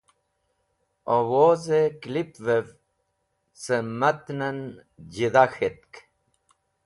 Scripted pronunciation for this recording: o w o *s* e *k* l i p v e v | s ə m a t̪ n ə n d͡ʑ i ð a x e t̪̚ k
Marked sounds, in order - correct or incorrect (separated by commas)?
incorrect, correct